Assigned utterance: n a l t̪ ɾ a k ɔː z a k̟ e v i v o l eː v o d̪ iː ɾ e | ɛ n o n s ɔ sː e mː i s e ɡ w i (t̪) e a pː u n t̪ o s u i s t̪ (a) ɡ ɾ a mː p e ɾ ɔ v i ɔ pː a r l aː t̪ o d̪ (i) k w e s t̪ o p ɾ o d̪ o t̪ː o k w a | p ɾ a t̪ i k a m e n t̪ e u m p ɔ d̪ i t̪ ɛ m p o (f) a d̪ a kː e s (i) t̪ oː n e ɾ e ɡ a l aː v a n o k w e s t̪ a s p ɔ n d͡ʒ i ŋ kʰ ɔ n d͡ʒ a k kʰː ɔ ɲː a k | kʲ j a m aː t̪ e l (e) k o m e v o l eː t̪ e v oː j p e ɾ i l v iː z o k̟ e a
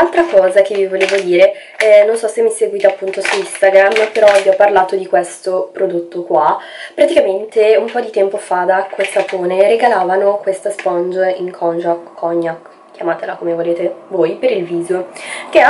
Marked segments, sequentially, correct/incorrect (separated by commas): correct, correct, correct, correct, incorrect, incorrect